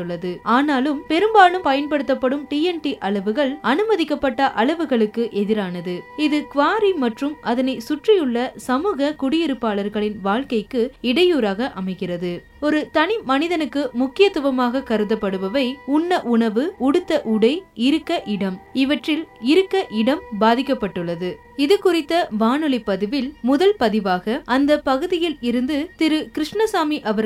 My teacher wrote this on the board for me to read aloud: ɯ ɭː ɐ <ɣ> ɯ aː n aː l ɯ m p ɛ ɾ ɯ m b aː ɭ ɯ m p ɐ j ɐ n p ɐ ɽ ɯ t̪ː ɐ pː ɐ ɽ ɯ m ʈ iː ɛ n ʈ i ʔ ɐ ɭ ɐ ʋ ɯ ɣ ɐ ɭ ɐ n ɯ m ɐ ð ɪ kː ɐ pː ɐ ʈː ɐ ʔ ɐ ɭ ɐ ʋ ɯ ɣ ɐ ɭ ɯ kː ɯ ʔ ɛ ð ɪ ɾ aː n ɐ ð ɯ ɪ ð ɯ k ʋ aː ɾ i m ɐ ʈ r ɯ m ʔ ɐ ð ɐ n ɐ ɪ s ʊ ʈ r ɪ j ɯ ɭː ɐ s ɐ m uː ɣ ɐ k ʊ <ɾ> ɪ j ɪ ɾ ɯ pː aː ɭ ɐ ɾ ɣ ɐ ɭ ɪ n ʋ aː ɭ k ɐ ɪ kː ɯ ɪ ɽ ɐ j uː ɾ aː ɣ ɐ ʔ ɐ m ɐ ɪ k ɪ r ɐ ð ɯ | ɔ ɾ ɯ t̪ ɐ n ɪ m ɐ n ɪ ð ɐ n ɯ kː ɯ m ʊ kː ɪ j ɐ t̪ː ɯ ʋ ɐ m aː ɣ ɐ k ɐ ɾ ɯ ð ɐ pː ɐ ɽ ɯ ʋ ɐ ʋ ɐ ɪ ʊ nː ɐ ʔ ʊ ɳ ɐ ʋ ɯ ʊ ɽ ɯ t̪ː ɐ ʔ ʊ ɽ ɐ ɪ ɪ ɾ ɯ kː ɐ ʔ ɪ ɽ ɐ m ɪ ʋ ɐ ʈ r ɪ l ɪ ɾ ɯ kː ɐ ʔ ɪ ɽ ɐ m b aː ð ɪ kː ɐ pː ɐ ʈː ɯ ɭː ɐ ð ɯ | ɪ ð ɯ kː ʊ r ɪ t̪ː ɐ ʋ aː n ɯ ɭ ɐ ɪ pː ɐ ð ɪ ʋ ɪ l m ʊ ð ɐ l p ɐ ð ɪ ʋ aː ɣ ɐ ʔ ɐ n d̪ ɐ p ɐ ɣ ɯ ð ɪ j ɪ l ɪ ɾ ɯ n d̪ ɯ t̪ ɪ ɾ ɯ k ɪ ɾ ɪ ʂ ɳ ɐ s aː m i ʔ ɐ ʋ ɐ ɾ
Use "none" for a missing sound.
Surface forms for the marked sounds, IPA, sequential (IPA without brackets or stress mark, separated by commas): ð, ɽ